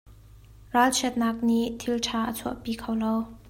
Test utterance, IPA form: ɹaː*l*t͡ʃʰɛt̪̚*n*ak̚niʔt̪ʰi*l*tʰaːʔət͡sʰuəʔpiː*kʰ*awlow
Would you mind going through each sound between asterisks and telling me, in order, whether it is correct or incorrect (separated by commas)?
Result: correct, correct, correct, correct